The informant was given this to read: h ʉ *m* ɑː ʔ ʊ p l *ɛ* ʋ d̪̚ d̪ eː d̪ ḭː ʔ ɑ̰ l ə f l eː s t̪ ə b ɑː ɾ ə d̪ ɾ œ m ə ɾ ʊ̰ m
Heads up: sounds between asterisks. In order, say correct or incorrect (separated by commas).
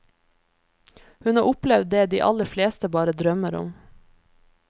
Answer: incorrect, correct